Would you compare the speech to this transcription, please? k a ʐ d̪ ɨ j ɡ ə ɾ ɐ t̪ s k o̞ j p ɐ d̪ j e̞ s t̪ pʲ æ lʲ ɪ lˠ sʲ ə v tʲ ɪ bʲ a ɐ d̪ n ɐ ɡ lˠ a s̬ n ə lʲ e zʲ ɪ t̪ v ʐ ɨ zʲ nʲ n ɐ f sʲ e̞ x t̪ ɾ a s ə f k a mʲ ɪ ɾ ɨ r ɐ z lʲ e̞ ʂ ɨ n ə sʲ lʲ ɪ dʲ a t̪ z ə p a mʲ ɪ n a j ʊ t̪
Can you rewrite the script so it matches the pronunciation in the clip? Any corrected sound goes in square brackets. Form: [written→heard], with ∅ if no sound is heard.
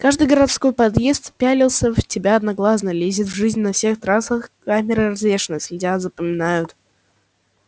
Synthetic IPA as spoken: k a ʐ d̪ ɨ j ɡ ə ɾ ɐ t̪ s k o̞ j p ɐ d̪ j e̞ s t̪ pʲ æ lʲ ɪ lˠ sʲ ə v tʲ ɪ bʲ a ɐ d̪ n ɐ ɡ lˠ a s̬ n ə lʲ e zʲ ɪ t̪ v ʐ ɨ zʲ nʲ n ɐ f sʲ e̞ x t̪ ɾ a s ə [f→x] k a mʲ ɪ ɾ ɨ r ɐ z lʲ e̞ ʂ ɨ n ə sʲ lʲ ɪ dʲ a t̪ z ə p [a→ə] mʲ ɪ n a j ʊ t̪